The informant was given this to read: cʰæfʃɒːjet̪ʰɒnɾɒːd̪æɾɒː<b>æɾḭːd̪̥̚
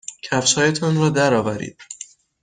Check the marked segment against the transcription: incorrect: v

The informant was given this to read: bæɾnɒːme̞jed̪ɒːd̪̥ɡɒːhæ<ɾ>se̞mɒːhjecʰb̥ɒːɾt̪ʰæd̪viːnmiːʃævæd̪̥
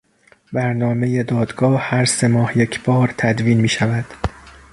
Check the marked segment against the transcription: correct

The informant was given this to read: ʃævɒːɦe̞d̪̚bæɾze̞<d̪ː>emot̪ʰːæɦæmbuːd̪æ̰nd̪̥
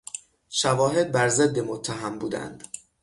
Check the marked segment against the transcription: correct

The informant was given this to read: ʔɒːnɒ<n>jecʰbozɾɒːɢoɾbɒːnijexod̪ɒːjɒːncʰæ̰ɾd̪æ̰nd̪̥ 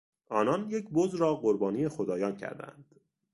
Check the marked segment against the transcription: correct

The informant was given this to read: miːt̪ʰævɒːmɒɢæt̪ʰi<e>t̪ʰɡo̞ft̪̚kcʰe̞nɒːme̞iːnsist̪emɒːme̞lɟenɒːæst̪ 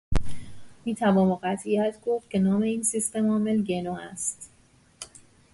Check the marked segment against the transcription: incorrect: æ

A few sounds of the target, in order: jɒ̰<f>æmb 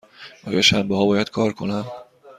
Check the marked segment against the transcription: incorrect: ʃ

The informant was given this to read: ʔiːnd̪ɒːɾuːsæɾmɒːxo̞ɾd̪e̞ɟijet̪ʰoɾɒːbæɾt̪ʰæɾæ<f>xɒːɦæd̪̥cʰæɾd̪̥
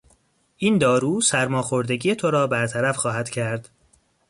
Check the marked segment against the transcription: correct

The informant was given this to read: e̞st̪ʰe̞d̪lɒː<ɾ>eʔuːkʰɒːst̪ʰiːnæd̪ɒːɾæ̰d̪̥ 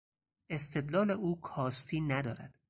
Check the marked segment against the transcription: incorrect: l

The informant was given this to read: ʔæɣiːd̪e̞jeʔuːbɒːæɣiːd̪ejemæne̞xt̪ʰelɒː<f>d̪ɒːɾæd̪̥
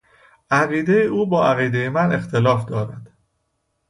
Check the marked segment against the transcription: correct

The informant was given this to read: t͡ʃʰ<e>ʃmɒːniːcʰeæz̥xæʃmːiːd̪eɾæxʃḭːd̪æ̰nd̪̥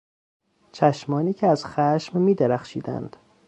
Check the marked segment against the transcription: incorrect: æ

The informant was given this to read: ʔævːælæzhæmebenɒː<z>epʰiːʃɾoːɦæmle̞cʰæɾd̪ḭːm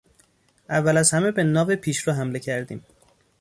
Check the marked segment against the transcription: incorrect: v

